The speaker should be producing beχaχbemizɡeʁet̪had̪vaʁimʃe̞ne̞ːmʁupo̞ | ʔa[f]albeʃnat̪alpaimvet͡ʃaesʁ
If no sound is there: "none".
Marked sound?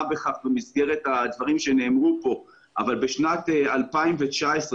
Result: v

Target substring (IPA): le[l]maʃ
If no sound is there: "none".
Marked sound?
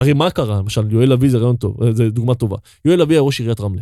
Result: none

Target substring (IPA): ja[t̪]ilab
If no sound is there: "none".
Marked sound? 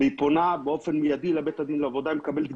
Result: d̪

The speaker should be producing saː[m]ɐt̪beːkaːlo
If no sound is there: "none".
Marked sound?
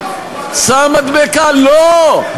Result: m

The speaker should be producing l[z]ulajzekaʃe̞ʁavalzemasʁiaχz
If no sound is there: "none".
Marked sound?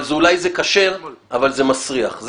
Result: z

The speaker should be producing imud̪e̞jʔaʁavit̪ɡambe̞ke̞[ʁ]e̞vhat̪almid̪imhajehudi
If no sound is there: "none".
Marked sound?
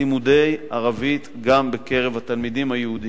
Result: ʁ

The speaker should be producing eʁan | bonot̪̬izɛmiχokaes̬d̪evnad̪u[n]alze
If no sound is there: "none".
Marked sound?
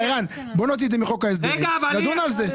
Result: n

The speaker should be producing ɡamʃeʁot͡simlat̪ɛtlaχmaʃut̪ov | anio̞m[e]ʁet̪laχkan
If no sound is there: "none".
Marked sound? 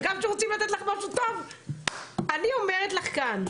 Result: e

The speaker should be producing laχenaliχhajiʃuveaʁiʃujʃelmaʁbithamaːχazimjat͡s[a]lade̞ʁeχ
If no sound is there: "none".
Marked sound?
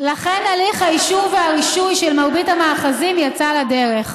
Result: a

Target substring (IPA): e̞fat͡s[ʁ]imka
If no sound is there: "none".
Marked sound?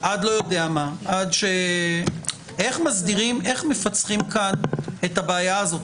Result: χ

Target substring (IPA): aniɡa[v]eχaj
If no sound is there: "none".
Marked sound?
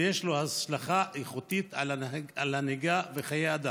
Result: v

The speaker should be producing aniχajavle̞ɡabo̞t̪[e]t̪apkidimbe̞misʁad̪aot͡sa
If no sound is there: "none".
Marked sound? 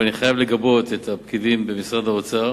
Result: e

